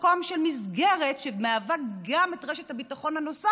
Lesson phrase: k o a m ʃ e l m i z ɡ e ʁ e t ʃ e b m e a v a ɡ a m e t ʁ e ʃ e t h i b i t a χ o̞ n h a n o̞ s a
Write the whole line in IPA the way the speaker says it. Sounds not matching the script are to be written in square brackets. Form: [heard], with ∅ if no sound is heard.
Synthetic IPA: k o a m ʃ e l m i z ɡ e ʁ e t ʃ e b m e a v a ɡ a m e t ʁ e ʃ e t h [a] b i t a χ o̞ n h a n o̞ s a